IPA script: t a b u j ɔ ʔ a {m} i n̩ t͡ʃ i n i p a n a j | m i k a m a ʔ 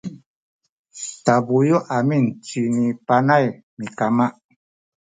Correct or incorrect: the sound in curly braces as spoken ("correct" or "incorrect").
correct